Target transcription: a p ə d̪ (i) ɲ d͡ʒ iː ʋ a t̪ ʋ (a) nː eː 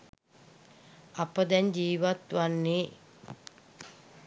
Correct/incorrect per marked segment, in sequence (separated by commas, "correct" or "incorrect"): incorrect, correct